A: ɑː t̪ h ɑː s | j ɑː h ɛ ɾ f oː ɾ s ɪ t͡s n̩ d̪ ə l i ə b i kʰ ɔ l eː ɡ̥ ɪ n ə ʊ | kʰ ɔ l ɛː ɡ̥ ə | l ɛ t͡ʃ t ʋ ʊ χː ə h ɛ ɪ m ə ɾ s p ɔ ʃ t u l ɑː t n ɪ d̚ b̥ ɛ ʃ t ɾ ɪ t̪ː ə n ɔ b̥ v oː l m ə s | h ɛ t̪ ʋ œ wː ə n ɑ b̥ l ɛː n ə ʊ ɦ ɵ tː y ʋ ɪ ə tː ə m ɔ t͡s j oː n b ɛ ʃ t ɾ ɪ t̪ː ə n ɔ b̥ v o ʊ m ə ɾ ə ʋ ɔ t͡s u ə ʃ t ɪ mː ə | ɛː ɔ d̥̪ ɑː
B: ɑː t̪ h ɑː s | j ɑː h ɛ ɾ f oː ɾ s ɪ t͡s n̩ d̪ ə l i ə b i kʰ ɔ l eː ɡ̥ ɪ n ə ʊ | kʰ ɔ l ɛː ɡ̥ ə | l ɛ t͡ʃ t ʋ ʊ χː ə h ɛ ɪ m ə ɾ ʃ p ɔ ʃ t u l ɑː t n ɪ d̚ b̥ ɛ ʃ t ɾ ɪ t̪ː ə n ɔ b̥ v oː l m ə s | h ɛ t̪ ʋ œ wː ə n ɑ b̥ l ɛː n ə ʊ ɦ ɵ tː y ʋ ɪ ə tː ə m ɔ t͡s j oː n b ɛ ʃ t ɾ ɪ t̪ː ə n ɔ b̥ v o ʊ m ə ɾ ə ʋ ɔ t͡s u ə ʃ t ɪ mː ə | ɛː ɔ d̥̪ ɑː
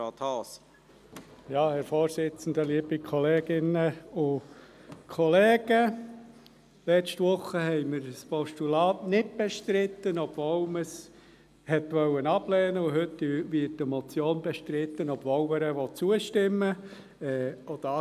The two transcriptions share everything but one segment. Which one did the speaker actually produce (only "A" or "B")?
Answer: A